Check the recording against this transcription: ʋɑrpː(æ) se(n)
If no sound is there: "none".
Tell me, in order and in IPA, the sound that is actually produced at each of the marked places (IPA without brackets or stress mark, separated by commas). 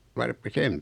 i, m